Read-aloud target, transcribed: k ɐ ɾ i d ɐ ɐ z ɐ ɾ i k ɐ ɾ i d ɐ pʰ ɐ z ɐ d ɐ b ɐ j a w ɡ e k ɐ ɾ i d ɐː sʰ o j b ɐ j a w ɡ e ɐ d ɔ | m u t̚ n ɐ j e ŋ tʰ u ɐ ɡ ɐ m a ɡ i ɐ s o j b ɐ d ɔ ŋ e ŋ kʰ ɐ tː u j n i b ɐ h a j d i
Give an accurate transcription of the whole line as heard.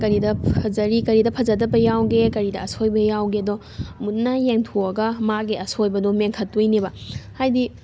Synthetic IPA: k ɐ ɾ i d ɐ ɐ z ɐ ɾ i k ɐ ɾ i d ɐ pʰ ɐ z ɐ d ɐ b ɐ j a w ɡ e k ɐ ɾ i d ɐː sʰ o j b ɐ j a w ɡ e ɐ d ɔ | m u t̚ n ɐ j e ŋ tʰ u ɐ ɡ ɐ m a ɡ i ɐ s o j b ɐ d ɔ m e ŋ kʰ ɐ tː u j n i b ɐ h a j d i

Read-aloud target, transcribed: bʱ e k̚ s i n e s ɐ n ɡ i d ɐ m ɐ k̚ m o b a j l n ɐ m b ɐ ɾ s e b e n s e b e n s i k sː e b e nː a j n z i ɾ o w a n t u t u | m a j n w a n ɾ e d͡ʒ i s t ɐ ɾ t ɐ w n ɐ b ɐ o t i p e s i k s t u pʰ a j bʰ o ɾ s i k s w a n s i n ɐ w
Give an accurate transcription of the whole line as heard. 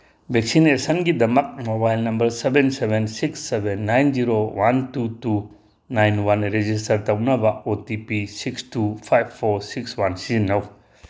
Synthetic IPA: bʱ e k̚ s i n e s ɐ n ɡ i d ɐ m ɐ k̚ m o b a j l n ɐ m b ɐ ɾ s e b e n s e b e n s i k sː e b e nː a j n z i ɾ o w a n t u t u | n a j n w a n ɾ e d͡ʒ i s t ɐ ɾ t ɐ w n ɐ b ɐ o t i p i s i k s t u pʰ a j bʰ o ɾ s i k s w a n s i n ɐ w

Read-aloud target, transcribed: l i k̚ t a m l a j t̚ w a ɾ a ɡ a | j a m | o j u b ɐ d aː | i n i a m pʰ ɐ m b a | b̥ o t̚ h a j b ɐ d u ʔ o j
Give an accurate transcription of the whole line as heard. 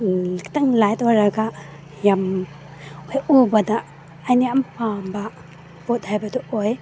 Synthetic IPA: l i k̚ t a ŋ l a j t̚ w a ɾ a ɡ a | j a m | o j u b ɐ d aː | j n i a m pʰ a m b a | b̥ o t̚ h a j b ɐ d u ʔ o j

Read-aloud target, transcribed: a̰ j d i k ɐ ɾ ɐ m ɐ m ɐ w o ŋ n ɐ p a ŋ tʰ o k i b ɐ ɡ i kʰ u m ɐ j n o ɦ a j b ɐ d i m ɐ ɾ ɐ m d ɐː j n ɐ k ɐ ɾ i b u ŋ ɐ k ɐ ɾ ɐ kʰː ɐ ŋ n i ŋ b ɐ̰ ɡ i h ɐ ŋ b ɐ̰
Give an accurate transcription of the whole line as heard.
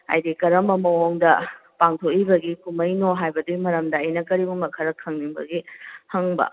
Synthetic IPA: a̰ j d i k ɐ ɾ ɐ m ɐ m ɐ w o ŋ d ɐ p a ŋ tʰ o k i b ɐ ɡ i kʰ u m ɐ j n o ɦ a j b ɐ d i m ɐ ɾ ɐ m d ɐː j n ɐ k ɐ ɾ i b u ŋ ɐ kʰ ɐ ɾ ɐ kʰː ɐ ŋ n i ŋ b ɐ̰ ɡ i h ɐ ŋ b ɐ̰

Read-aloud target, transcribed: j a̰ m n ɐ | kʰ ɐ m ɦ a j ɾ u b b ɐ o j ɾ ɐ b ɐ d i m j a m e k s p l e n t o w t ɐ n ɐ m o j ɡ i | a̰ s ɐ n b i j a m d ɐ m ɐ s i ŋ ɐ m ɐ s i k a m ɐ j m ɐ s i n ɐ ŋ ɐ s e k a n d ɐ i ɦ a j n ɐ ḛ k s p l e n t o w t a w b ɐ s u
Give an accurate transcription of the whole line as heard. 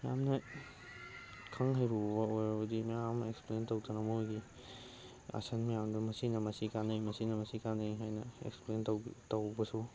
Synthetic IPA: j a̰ m n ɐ | kʰ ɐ ŋ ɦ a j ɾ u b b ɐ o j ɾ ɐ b ɐ d i m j a m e k s p l e n t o w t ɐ n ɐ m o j ɡ i | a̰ s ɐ n m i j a m d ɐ m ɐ s i n ɐ m ɐ s i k a n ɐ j m ɐ s i n ɐ m ɐ s i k a n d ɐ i ɦ a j n ɐ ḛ k s p l e n t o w t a w b ɐ s u

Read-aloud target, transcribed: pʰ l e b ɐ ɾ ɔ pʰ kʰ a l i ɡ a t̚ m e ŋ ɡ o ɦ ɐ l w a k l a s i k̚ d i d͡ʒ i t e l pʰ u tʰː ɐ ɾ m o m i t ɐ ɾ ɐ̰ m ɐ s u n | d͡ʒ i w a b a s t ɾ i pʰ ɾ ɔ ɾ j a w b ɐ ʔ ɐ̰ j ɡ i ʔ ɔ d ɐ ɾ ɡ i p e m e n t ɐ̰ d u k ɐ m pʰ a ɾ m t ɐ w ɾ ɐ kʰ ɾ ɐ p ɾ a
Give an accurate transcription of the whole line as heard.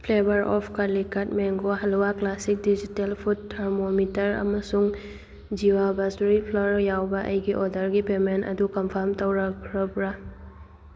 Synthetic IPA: pʰ l e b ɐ ɾ ɔ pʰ k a l i k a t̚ m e ŋ ɡ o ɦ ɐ l w a k l a s i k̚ d i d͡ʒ i t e l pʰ u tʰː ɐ ɾ m o m i t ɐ ɾ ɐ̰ m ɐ s u ŋ | d͡ʒ i w a b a s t ɾ i pʰ l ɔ ɾ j a w b ɐ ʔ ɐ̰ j ɡ i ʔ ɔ d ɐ ɾ ɡ i p e m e n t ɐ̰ d u k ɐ m pʰ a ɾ m t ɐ w ɾ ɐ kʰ ɾ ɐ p ɾ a

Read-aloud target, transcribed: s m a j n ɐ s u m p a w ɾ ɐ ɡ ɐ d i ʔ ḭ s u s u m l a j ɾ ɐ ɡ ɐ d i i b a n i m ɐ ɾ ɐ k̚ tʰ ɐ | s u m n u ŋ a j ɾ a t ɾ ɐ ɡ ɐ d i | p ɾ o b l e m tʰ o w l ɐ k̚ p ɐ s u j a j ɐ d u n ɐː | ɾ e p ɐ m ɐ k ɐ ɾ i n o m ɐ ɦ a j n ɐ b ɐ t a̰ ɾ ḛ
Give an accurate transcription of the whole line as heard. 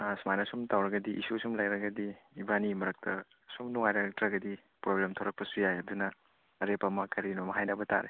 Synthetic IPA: s m a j n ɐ s u m t a w ɾ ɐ ɡ ɐ d i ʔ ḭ s u s u m l a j ɾ ɐ ɡ ɐ d i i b a n i m ɐ ɾ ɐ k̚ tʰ ɐ | s u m n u ŋ a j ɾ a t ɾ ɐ ɡ ɐ d i | p ɾ o b l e m tʰ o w ɾ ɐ k̚ p ɐ s u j a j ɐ d u n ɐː | ɾ e p ɐ m ɐ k ɐ ɾ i n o m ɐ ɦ a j n ɐ b ɐ t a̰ ɾ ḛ

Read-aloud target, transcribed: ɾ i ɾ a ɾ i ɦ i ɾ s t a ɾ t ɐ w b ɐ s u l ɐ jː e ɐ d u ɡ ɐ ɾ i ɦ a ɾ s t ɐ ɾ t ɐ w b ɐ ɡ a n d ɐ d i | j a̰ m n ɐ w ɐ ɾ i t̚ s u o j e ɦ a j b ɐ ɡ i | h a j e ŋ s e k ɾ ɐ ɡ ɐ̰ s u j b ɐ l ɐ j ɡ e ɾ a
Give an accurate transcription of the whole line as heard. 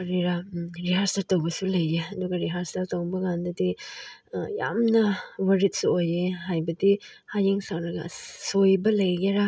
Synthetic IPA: ɾ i ɾ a ɾ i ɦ a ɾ s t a ɾ t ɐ w b ɐ s u l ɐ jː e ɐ d u ɡ ɐ ɾ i ɦ a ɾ s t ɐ ɾ t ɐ w b ɐ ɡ a n d ɐ d i | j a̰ m n ɐ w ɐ ɾ i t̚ s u o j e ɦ a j b ɐ d i | h a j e ŋ s a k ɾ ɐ ɡ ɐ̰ s o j b ɐ l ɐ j ɡ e ɾ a

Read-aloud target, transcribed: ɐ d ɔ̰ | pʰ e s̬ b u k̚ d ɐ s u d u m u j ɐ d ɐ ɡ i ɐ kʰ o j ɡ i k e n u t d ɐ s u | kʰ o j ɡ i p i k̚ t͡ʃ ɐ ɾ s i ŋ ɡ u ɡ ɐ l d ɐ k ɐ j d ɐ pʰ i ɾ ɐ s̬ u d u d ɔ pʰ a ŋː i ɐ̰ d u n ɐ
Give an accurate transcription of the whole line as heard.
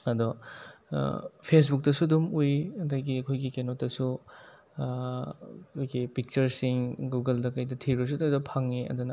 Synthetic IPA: ɐ d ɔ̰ | pʰ e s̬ b u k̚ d ɐ s u d u m u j ɐ d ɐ ɡ i ɐ kʰ o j ɡ i k e n o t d ɐ s u | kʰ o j ɡ i p i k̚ t͡ʃ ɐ ɾ s i ŋ ɡ u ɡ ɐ l d ɐ k ɐ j d ɐ tʰ i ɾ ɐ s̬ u d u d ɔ pʰ a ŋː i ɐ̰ d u n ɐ

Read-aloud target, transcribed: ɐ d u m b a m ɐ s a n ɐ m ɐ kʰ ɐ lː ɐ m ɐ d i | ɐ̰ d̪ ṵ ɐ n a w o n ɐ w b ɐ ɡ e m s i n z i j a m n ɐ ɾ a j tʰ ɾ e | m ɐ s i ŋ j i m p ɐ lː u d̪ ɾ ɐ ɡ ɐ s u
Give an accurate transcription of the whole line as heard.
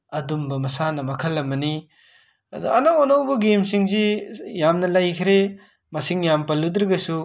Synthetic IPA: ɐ d u m b ɐ m ɐ s a n ɐ m ɐ kʰ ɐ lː ɐ m ɐ n i | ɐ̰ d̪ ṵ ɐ n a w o n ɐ w b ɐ ɡ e m s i ŋ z i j a m n ɐ l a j kʰ ɾ e | m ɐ s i ŋ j a m p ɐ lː u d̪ ɾ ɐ ɡ ɐ s u

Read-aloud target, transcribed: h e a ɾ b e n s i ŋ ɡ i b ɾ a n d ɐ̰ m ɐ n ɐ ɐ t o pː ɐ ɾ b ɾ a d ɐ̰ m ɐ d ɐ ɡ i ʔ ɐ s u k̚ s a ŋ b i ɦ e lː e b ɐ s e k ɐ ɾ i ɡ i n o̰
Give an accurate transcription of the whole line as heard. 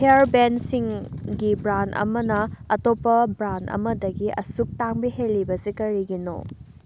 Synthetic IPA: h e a ɾ b e n s i ŋ ɡ i b ɾ a n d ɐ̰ m ɐ n ɐ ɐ t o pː ɐ b ɾ a n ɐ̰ m ɐ d ɐ ɡ i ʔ ɐ s u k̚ t a ŋ b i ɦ e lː i b ɐ s i k ɐ ɾ i ɡ i n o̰

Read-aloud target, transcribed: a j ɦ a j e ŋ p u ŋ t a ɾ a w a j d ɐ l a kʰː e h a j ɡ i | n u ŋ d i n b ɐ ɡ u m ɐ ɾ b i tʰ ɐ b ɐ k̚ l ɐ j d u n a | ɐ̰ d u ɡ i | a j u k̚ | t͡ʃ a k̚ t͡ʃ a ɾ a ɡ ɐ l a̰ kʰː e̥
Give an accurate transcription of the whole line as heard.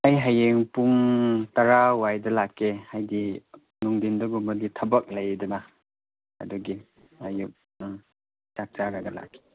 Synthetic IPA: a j ɦ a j e ŋ p u ŋ t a ɾ a w a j d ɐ l a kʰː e h a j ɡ i | n u ŋ d i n d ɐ ɡ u m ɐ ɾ ɡ i tʰ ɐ b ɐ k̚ l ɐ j d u n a | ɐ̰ d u ɡ i | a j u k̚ | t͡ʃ a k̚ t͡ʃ a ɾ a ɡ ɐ l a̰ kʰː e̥

